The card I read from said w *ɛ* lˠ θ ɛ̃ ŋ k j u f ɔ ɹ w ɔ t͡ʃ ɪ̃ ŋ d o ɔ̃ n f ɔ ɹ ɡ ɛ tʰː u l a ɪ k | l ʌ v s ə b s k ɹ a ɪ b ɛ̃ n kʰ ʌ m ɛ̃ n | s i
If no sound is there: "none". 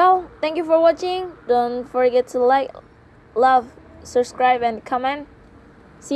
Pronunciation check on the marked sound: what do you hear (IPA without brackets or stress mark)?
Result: ɛ